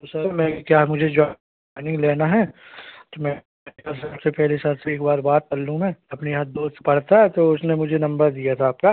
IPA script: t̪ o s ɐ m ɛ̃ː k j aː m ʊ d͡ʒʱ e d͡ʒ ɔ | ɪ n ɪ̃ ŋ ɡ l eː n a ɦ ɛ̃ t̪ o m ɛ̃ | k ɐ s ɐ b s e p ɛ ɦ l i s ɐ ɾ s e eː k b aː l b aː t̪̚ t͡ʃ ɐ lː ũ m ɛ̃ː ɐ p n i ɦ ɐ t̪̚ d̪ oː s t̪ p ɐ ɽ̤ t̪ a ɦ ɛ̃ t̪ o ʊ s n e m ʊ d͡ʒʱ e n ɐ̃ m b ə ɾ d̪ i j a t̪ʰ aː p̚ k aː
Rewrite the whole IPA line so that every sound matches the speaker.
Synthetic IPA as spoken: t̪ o s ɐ m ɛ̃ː k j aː m ʊ d͡ʒʱ e d͡ʒ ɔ | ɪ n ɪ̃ ŋ ɡ l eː n a ɦ ɛ t̪ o m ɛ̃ | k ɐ s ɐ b s e p ɛ ɦ l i s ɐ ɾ s e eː k b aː ɾ b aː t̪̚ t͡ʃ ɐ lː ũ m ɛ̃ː ɐ p n i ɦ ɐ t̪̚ d̪ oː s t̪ p ɐ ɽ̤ t̪ a ɦ ɛ t̪ o ʊ s n e m ʊ d͡ʒʱ e n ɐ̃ m b ə ɾ d̪ i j a t̪ʰ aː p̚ k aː